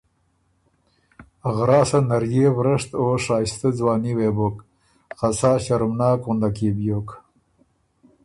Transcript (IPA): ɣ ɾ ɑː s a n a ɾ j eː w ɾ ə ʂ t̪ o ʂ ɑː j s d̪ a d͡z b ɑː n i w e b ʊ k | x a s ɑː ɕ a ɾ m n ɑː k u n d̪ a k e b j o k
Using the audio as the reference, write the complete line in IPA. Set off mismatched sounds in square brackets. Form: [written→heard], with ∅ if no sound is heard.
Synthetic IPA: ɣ ɾ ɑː s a n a ɾ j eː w ɾ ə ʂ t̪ o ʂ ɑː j s [d̪→t̪] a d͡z [b→w] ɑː n i w e b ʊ k | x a s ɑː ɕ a ɾ m n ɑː k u n d̪ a k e b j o k